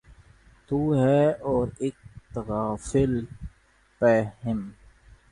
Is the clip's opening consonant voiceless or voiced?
voiceless